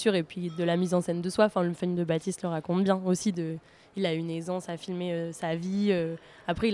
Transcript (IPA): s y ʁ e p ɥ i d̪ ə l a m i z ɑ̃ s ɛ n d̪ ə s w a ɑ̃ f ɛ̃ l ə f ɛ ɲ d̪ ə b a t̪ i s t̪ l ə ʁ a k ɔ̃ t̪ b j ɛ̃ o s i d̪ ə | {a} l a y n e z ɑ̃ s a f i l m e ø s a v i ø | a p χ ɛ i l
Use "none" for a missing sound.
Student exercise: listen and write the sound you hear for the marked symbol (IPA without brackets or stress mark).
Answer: i